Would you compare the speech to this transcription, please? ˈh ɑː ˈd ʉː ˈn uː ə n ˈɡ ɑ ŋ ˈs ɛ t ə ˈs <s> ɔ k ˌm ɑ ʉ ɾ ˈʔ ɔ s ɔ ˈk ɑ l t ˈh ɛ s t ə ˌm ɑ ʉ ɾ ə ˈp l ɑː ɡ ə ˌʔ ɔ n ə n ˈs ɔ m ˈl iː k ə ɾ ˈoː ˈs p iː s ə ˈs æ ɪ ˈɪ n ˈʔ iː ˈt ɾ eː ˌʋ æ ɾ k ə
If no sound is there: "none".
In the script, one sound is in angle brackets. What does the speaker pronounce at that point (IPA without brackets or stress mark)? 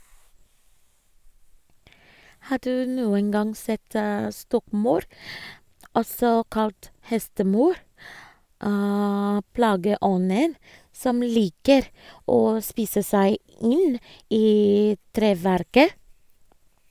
t